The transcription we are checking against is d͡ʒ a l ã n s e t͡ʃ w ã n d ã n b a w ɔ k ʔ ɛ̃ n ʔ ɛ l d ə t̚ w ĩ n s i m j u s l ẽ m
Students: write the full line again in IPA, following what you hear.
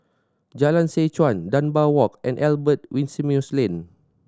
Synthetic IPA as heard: d͡ʒ a l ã n s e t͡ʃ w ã n d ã n b a w ɔ k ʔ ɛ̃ n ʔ ɛ l b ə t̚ w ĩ n s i m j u s l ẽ n